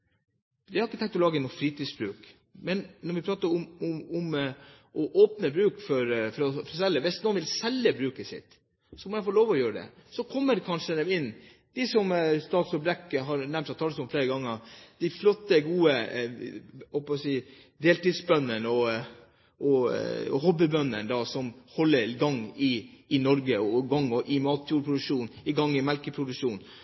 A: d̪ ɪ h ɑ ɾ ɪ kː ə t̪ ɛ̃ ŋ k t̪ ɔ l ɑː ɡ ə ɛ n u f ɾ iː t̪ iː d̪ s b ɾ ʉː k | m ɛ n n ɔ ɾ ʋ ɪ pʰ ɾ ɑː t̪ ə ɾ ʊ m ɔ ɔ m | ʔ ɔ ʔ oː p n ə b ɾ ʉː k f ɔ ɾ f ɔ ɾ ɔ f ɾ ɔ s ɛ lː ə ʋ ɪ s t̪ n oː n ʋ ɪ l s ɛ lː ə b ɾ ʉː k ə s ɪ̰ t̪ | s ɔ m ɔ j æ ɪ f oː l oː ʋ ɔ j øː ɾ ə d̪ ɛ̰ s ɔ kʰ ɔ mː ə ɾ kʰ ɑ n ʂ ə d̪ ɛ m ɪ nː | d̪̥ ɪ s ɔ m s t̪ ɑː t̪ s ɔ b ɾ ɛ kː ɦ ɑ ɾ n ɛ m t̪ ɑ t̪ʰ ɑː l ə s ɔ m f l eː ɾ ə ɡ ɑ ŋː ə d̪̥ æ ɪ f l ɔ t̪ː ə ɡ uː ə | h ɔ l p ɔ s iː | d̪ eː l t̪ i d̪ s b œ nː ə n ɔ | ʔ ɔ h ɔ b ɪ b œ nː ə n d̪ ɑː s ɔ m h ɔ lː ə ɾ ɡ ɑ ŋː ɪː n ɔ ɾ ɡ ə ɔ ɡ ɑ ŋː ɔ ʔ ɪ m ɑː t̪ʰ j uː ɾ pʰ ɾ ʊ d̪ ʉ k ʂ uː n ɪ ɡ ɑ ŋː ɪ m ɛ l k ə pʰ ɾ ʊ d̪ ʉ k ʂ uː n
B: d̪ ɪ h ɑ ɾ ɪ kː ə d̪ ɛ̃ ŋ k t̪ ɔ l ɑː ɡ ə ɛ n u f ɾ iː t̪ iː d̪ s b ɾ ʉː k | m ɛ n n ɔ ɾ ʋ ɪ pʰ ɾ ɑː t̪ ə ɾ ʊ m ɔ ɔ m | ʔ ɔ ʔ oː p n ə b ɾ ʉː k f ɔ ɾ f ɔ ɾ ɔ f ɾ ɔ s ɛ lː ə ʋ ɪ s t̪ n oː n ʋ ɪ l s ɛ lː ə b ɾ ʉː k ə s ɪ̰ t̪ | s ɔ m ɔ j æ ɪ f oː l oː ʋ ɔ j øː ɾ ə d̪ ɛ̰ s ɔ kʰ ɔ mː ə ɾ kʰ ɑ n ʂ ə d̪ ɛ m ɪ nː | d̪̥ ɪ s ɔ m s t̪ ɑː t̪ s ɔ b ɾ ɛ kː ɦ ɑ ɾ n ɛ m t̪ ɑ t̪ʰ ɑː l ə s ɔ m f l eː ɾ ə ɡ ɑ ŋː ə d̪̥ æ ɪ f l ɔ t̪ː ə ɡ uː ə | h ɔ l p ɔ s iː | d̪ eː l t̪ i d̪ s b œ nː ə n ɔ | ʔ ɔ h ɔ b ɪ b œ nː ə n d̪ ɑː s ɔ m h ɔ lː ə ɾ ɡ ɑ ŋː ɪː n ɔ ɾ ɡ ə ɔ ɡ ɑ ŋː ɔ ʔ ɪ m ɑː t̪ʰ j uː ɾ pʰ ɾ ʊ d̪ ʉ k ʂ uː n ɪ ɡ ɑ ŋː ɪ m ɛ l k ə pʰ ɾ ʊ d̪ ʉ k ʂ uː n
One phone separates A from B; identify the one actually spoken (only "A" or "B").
A